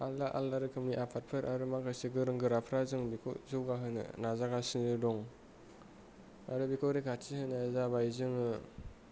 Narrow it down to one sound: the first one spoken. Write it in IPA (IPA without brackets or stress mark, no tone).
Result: a